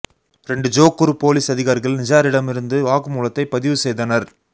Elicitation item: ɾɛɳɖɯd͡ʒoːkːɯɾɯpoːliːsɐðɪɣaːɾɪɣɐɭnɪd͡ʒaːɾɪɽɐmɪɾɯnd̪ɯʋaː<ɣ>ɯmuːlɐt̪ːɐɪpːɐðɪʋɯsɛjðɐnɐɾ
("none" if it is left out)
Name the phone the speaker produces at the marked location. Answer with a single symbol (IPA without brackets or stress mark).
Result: ɣ